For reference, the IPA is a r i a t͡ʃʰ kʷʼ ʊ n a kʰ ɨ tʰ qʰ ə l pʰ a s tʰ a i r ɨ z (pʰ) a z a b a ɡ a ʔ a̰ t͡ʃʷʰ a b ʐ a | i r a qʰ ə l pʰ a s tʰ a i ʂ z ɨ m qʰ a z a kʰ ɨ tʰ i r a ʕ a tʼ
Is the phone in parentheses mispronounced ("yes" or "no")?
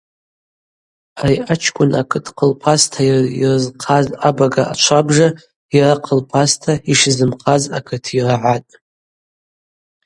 yes